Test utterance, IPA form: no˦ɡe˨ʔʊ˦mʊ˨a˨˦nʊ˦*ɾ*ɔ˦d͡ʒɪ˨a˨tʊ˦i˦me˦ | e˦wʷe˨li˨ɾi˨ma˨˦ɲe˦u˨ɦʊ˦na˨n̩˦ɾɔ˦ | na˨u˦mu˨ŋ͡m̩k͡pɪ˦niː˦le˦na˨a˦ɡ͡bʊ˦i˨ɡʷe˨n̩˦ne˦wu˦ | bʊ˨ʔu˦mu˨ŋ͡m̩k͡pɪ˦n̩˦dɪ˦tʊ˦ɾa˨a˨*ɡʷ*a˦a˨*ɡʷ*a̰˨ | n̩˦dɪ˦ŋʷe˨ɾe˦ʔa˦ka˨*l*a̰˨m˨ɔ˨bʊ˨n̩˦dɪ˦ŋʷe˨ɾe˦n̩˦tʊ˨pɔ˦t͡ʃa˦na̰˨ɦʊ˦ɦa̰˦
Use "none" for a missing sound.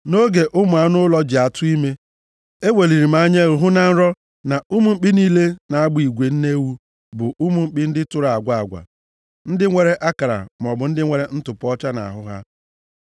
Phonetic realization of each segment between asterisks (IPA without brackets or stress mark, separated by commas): l, ɡʷ, ɡʷ, ɾ